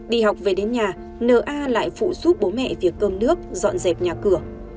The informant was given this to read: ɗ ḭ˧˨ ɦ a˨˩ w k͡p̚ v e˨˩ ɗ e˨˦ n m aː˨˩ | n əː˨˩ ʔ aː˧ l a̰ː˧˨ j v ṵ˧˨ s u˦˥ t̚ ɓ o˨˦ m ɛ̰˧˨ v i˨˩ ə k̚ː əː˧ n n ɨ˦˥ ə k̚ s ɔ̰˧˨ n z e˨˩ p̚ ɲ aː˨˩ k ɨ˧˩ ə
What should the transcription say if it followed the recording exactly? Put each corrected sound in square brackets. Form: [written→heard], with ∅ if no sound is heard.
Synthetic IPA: ɗ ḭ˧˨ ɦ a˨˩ w k͡p̚ v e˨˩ ɗ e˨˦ n [m→ɲ] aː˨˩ | n əː˨˩ ʔ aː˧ l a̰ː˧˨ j [v→f] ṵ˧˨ s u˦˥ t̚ ɓ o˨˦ m ɛ̰˧˨ v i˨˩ ə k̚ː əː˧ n n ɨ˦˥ ə k̚ [s→z] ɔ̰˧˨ n z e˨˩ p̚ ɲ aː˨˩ k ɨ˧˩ ə

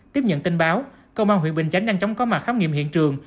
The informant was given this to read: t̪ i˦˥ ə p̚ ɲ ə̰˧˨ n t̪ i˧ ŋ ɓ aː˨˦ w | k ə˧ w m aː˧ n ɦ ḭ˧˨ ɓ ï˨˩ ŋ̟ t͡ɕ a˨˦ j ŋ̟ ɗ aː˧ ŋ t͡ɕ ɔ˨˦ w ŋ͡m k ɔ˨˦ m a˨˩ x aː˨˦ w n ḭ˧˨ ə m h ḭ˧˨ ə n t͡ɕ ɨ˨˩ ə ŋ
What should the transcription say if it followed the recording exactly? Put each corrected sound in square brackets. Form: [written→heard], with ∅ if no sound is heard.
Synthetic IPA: t̪ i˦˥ ə p̚ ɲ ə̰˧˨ n t̪ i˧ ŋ ɓ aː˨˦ w | k ə˧ w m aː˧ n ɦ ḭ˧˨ ɓ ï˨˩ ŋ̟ t͡ɕ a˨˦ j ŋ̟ ɗ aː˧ ŋ t͡ɕ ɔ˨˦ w ŋ͡m k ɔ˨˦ m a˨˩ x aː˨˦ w [n→ŋ] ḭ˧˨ ə m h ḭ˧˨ ə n t͡ɕ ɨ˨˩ ə ŋ

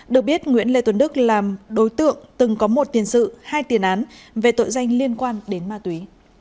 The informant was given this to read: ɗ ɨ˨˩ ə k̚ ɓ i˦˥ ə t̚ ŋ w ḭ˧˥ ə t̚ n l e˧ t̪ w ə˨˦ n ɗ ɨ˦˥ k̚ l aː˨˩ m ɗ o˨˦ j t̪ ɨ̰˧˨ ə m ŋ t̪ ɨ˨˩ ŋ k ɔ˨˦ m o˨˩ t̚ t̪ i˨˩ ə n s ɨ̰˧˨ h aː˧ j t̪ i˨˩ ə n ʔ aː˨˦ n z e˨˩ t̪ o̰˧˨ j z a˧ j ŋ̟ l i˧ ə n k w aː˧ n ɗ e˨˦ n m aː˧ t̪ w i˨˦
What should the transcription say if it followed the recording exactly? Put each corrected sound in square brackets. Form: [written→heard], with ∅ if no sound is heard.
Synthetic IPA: ɗ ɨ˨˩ ə k̚ ɓ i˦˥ ə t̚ ŋ w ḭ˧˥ ə [t̚→∅] n l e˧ t̪ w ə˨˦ n ɗ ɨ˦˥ k̚ l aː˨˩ m ɗ o˨˦ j t̪ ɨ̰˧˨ ə [m→∅] ŋ t̪ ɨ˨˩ ŋ k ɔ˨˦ m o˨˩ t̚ t̪ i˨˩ ə n s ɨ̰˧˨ h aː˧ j t̪ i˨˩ ə n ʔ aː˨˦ n [z→v] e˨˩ t̪ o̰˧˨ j z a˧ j ŋ̟ l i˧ ə n k w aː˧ n ɗ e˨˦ n m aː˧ t̪ w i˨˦

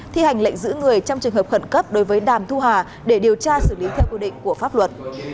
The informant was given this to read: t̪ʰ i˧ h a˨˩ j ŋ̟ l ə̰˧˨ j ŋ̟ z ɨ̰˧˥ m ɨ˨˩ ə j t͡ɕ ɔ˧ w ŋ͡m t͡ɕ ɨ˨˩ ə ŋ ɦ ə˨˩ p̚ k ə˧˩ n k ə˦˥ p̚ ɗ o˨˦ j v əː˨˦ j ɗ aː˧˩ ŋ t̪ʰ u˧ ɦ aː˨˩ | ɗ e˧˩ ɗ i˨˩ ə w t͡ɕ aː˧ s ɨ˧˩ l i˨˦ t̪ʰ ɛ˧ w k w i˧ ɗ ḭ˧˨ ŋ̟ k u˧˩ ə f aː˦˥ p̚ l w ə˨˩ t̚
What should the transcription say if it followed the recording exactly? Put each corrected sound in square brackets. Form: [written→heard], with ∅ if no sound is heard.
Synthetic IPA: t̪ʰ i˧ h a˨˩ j ŋ̟ l ə̰˧˨ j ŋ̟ z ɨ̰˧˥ [m→ŋ] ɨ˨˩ ə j t͡ɕ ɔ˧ w ŋ͡m t͡ɕ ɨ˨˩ ə ŋ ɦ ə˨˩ p̚ [k→x] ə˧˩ n k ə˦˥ p̚ ɗ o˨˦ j v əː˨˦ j ɗ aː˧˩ [ŋ→m] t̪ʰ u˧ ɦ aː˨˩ | ɗ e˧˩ ɗ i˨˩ ə w t͡ɕ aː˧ s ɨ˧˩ l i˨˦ t̪ʰ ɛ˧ w k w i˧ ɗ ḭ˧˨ ŋ̟ k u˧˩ ə f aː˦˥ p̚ l w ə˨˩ t̚

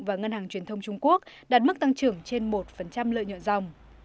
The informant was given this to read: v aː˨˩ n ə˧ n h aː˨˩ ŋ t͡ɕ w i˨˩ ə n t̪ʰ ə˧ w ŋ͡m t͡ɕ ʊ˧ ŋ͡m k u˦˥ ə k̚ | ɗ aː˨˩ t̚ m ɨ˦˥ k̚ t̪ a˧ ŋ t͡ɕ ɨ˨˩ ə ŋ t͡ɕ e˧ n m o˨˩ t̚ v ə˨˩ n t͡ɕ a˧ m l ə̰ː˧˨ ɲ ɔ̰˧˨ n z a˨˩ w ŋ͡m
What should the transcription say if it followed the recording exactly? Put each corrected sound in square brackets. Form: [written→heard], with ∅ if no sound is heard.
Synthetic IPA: v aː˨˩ [n→ŋ] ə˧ n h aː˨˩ ŋ t͡ɕ w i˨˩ ə n t̪ʰ ə˧ w ŋ͡m t͡ɕ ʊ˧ ŋ͡m k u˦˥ ə k̚ | ɗ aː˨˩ t̚ m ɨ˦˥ k̚ t̪ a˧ ŋ t͡ɕ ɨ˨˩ ə ŋ t͡ɕ e˧ n m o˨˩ t̚ [v→f] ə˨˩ n t͡ɕ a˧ m l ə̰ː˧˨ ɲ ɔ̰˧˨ n z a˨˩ w ŋ͡m

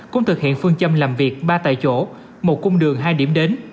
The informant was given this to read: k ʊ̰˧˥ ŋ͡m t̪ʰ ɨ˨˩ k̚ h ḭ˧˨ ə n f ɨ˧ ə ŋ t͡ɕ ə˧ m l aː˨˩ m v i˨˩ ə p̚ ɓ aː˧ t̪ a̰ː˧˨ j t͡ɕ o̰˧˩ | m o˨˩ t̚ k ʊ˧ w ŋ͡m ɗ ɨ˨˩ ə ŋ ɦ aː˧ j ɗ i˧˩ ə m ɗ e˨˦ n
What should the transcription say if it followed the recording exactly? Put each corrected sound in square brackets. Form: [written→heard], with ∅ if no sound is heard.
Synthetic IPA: k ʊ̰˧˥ ŋ͡m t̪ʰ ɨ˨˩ k̚ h ḭ˧˨ ə n f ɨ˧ ə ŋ t͡ɕ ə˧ m l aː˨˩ m v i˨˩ ə [p̚→k̚] ɓ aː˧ t̪ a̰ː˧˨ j t͡ɕ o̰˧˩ | m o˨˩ t̚ k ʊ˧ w ŋ͡m ɗ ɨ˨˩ ə ŋ ɦ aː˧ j ɗ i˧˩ ə m ɗ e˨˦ n

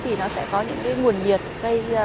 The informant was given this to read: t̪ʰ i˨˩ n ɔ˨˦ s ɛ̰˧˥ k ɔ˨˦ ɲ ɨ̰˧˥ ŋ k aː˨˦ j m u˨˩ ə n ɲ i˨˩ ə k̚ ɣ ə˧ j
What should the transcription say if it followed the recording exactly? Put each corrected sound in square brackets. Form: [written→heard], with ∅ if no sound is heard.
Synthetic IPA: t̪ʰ i˨˩ n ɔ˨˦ s ɛ̰˧˥ k ɔ˨˦ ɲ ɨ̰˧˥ ŋ k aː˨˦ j [m→ŋ] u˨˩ ə n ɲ i˨˩ ə [k̚→t̚] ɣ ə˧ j

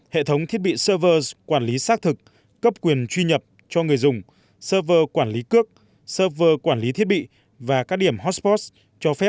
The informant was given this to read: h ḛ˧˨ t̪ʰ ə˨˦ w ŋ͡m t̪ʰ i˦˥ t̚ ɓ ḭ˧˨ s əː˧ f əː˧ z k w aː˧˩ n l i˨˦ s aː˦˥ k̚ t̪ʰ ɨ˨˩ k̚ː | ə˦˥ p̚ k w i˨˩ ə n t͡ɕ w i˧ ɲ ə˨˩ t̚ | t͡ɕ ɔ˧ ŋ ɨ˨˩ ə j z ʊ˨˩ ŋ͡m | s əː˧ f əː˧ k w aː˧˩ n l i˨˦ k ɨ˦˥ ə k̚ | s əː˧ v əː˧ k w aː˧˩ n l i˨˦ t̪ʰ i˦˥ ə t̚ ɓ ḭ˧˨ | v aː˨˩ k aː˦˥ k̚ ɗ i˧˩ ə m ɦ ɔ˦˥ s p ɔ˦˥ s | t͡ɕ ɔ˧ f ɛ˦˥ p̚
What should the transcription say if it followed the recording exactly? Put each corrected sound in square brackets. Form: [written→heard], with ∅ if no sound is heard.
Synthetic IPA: h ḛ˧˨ t̪ʰ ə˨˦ w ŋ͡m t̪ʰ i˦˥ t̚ ɓ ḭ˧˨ s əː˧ [f→v] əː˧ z k w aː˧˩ n l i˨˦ s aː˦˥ k̚ t̪ʰ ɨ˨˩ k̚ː | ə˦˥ p̚ k w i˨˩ ə n t͡ɕ w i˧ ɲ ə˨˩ [t̚→p̚] | t͡ɕ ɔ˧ ŋ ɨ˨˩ ə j z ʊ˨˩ ŋ͡m | s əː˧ [f→v] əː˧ k w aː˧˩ n l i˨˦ k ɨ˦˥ ə k̚ | s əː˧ v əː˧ k w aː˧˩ n l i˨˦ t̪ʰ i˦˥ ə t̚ ɓ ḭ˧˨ | v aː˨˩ k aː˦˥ k̚ ɗ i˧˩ ə m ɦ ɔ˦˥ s p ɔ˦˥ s | t͡ɕ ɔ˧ f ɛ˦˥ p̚

